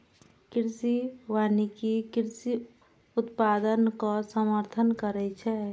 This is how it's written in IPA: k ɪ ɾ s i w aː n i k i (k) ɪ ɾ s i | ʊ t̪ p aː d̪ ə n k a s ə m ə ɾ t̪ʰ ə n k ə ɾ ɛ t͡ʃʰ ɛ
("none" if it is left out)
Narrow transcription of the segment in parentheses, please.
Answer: k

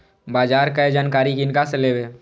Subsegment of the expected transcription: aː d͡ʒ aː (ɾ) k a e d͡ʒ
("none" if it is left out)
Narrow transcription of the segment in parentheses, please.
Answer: ɾ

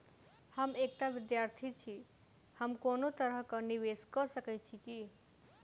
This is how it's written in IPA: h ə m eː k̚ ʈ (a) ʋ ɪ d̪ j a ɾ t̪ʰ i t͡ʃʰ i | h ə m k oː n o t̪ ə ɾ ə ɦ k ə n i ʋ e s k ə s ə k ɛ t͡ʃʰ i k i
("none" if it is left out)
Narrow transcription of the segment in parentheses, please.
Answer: a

